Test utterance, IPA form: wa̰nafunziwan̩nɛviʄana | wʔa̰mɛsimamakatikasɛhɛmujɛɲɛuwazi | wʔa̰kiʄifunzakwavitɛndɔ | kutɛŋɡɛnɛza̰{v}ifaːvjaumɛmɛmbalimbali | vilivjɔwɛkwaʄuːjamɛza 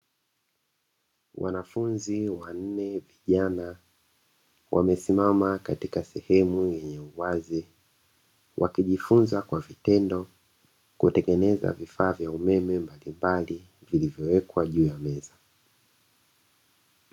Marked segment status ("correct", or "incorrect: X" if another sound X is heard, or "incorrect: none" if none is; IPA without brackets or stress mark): correct